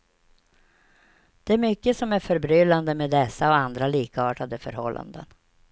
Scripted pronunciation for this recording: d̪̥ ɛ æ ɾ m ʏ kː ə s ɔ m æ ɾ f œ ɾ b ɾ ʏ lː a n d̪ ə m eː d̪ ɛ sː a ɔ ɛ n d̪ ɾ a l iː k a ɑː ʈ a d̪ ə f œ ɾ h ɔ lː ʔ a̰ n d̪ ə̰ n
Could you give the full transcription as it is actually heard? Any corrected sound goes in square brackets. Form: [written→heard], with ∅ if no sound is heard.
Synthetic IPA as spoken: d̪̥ ɛ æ ɾ m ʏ kː ə s ɔ m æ ɾ f œ ɾ b ɾ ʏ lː a n d̪ ə m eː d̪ ɛ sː a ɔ [ɛ→a] n d̪ ɾ a l iː k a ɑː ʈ a d̪ ə f œ ɾ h ɔ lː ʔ a̰ n d̪ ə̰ n